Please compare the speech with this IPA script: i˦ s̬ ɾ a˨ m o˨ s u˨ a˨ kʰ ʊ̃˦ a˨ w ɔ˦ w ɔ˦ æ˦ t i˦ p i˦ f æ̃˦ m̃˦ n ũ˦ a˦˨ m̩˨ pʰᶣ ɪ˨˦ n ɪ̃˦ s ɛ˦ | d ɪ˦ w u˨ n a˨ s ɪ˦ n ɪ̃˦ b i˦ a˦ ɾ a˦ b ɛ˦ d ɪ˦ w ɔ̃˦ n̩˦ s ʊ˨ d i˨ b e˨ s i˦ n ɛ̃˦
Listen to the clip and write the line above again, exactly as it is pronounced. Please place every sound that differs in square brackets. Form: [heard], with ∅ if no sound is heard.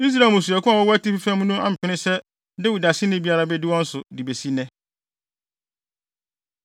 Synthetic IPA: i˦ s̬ ɾ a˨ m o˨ s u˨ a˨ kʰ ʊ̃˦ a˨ w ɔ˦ w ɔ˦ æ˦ t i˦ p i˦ f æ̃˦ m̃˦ n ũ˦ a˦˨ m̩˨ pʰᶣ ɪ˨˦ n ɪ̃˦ s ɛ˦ | d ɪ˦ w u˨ [d] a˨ s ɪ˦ n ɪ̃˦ b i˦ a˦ ɾ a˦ b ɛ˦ d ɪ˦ w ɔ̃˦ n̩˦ s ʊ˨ d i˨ b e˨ s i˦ n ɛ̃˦